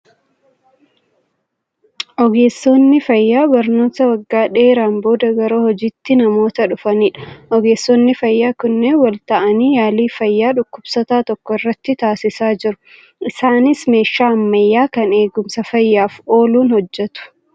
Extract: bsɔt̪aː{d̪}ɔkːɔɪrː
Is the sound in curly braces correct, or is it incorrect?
incorrect